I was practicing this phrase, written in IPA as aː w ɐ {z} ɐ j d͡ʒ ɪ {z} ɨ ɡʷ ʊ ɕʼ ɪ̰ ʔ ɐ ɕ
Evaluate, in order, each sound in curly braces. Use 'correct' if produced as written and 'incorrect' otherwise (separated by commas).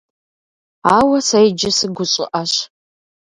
incorrect, incorrect